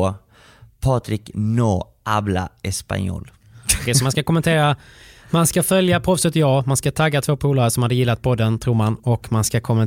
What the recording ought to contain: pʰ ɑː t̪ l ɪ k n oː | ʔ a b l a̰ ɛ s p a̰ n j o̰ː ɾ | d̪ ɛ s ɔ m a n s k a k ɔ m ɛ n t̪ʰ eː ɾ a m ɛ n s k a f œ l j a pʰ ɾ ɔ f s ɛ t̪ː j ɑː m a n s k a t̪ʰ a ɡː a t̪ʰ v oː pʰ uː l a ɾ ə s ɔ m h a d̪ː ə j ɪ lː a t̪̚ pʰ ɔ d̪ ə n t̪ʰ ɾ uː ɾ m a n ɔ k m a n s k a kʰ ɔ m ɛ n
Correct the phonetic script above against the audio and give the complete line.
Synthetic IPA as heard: pʰ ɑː t̪ ɾ ɪ k n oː | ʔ a b l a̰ ɛ s p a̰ n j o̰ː l | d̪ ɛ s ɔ m a n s k a k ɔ m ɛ n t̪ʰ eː ɾ a m a n s k a f œ l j a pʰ ɾ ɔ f s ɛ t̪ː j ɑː m a n s k a t̪ʰ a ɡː a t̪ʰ v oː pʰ uː l a ɾ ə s ɔ m h a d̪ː ə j ɪ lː a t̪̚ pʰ ɔ d̪ ə n t̪ʰ ɾ uː ɾ m a n ɔ k m a n s k a kʰ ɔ m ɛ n